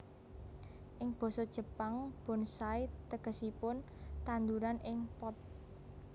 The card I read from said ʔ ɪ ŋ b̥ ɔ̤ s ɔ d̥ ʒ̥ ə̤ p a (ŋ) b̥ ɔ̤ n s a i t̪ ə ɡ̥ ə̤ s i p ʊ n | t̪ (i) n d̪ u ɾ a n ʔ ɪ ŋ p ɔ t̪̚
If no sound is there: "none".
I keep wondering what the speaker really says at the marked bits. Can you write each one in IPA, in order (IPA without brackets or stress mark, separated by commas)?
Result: ŋ, a